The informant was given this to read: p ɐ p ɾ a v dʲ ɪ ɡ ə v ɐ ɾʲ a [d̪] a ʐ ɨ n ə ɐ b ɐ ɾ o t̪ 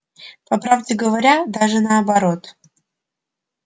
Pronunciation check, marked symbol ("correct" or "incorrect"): correct